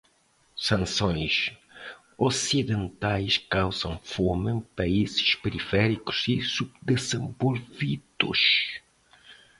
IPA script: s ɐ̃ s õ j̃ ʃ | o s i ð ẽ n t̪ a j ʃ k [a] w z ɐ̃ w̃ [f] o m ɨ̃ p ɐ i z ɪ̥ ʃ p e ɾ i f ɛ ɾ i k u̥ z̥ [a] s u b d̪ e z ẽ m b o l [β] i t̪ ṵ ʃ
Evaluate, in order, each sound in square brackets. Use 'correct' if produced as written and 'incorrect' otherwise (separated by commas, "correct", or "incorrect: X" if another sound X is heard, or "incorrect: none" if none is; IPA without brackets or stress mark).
correct, correct, incorrect: i, incorrect: v